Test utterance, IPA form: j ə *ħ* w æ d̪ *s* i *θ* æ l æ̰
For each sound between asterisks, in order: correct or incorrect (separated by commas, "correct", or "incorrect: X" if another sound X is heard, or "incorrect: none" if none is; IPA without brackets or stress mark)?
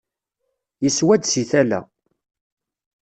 incorrect: s, correct, correct